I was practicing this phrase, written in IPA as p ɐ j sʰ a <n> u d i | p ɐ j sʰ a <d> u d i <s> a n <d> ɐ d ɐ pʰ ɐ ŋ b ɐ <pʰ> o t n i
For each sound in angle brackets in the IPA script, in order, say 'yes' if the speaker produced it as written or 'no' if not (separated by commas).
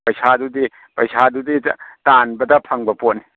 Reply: no, yes, no, no, no